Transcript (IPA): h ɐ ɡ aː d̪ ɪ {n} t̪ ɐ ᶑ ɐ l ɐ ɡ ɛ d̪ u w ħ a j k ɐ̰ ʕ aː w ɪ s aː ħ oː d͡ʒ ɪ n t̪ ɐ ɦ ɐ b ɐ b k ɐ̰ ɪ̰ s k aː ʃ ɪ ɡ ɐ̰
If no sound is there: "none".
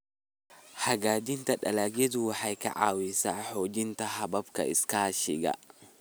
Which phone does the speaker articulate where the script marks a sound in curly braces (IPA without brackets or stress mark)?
n